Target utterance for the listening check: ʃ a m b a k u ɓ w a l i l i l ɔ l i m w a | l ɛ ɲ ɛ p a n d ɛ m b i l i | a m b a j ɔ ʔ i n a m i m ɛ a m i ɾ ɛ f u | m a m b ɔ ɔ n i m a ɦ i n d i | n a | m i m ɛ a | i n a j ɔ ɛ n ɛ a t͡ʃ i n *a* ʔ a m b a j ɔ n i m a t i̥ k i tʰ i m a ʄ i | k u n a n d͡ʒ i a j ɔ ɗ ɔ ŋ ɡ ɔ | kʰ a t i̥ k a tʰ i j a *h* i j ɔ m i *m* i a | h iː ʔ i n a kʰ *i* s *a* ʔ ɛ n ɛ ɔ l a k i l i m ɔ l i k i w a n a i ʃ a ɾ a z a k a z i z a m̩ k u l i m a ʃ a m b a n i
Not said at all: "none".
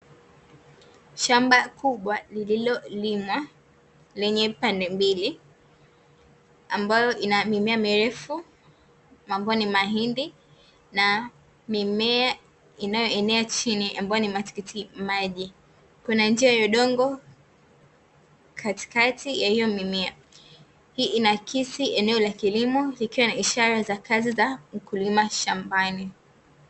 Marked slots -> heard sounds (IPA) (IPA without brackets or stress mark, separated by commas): i, h, m, i, i